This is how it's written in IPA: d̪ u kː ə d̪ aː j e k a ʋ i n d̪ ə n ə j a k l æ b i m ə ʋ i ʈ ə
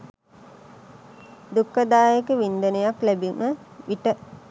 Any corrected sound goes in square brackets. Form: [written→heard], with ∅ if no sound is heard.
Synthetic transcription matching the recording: d̪ u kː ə d̪ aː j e k [a→ə] ʋ i n d̪ ə n ə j a k l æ b i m ə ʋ i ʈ ə